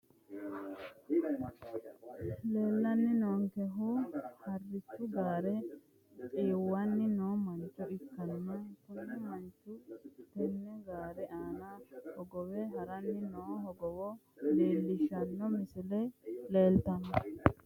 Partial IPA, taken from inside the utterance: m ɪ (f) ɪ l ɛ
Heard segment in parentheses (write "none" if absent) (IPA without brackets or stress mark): s